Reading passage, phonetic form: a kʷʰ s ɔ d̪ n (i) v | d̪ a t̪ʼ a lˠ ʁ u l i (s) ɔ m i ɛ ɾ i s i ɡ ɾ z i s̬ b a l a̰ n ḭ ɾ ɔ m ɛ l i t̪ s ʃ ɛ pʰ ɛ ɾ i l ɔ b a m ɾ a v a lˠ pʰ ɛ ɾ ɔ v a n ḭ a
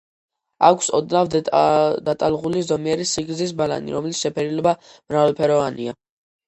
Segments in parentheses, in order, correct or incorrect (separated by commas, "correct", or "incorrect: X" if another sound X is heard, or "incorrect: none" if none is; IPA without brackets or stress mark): incorrect: a, incorrect: z